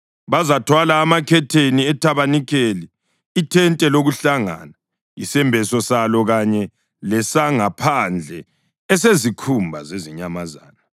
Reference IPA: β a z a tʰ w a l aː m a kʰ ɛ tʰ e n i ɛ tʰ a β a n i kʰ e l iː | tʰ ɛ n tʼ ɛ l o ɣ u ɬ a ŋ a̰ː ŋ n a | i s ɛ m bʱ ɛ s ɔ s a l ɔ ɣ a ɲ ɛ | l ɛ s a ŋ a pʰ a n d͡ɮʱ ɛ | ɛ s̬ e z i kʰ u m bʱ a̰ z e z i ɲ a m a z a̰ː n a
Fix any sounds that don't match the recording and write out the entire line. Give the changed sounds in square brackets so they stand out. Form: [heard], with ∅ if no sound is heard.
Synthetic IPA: β a z a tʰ w a l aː m a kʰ ɛ tʰ e n i ɛ tʰ a β a n i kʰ e l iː | tʰ ɛ n tʼ ɛ l o ɣ u ɬ a ŋ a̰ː [∅] n a | i s ɛ m bʱ ɛ s ɔ s a l ɔ ɣ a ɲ ɛ | l ɛ s a ŋ a pʰ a n d͡ɮʱ ɛ | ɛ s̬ e z i kʰ u m bʱ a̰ z e z i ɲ a m a z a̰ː n a